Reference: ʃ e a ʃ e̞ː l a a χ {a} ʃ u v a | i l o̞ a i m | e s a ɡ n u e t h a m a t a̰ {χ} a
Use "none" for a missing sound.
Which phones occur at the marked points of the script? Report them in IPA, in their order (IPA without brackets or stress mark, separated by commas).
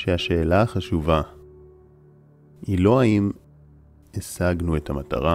a, ʁ